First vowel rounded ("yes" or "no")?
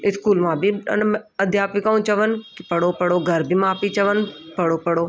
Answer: no